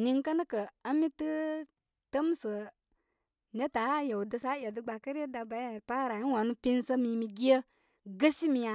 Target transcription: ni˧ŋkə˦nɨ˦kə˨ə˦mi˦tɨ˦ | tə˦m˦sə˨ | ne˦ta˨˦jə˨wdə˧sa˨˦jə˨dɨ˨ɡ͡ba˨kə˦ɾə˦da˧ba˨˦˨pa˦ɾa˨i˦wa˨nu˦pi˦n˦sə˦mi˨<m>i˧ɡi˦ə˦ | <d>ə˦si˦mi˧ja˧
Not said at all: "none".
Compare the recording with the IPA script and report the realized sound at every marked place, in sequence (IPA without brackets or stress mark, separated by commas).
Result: m, ɡ